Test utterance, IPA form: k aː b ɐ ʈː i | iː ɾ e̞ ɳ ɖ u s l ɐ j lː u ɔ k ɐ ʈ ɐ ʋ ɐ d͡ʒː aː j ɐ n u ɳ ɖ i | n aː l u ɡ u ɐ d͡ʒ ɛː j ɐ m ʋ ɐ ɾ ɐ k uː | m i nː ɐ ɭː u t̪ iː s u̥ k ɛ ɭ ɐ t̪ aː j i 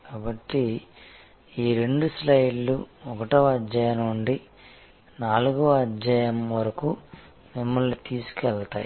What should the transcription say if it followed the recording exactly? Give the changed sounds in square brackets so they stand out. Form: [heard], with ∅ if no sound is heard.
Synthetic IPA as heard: k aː b ɐ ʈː i | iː ɾ e̞ ɳ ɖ u s l ɐ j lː u ɔ k ɐ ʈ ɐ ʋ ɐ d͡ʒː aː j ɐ n u ɳ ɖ i | n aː l u ɡ u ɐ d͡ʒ [aː] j ɐ m ʋ ɐ ɾ ɐ k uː | m i [mː] ɐ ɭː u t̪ iː s u̥ k ɛ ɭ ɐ t̪ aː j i